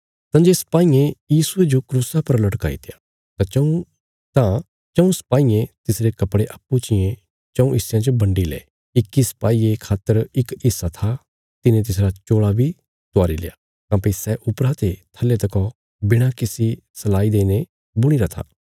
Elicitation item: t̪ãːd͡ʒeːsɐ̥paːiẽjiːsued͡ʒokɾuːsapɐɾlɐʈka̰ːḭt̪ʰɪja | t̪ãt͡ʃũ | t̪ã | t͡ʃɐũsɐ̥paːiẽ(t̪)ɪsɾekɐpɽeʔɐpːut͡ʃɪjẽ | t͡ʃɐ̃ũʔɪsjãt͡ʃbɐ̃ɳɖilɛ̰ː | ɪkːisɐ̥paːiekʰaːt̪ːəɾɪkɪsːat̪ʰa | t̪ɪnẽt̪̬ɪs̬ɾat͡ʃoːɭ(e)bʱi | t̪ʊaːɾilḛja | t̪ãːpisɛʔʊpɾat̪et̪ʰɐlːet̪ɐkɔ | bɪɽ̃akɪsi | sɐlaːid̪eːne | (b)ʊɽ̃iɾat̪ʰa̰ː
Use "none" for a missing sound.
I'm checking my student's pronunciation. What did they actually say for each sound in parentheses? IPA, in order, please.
t̪, a, b

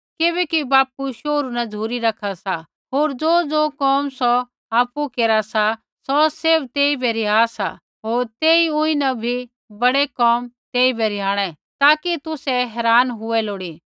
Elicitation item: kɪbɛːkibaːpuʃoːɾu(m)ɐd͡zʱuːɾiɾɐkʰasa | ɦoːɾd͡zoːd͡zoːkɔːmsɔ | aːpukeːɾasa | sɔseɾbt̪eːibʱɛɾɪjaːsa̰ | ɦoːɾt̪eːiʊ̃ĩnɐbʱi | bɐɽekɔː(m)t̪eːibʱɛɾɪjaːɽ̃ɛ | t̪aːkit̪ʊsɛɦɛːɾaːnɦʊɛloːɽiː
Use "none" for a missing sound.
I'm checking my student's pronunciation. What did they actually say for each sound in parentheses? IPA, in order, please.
n, m

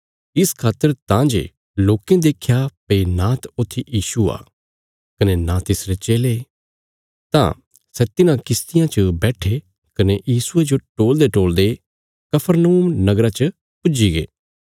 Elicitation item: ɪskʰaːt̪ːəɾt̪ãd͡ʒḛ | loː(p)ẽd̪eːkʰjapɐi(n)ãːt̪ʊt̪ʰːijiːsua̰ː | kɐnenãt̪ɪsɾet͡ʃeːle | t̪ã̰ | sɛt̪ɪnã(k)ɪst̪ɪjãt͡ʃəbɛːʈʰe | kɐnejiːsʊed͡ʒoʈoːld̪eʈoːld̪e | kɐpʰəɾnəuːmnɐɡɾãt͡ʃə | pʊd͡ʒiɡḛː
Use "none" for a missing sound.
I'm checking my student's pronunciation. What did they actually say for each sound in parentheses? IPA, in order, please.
k, n, k

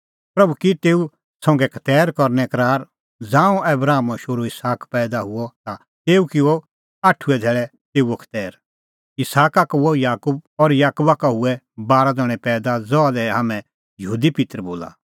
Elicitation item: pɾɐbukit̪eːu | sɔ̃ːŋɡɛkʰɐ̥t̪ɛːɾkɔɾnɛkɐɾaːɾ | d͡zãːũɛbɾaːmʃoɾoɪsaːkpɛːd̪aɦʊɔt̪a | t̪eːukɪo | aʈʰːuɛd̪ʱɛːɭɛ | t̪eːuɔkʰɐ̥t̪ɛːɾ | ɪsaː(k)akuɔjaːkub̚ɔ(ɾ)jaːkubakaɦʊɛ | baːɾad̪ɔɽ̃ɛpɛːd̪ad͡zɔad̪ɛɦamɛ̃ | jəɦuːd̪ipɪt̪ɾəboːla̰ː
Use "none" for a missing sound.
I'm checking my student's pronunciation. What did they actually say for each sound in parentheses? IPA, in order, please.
k, ɾ

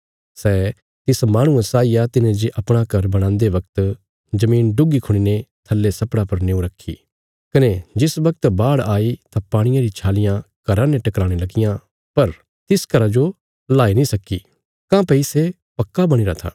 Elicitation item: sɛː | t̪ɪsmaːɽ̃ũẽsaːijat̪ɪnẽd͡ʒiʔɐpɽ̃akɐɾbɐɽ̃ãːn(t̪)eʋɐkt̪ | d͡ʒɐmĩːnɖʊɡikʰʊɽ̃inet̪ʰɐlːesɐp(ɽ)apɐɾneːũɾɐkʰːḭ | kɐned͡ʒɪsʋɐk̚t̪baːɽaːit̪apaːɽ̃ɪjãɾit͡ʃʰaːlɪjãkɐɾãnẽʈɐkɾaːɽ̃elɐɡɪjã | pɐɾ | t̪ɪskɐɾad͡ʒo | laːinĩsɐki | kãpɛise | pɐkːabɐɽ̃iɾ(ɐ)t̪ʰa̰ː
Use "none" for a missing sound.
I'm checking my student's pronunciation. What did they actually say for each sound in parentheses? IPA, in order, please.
d̪, ɽ, a

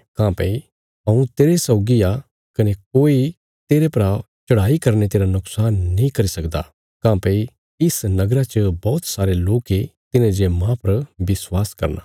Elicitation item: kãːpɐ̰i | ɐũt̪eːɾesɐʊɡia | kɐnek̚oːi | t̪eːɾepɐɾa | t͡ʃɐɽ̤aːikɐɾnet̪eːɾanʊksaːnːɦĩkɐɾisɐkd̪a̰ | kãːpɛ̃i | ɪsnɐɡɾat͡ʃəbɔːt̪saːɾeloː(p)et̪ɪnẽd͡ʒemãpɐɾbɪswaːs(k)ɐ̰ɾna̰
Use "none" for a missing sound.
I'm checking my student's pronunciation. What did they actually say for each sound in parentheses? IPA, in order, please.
k, k

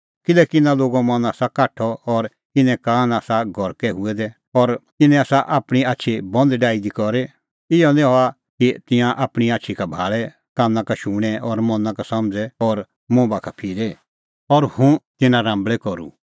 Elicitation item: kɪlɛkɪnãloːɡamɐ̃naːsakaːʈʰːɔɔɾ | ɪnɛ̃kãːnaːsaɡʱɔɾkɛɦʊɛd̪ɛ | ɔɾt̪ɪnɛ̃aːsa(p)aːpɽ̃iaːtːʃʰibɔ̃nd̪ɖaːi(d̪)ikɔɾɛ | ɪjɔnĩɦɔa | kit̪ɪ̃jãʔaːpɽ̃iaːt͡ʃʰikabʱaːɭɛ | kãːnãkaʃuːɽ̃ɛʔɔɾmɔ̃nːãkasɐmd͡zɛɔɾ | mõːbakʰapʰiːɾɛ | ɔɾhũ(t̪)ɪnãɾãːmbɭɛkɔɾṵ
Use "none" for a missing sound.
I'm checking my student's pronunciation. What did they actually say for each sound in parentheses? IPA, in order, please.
ʔ, d̪, t̪

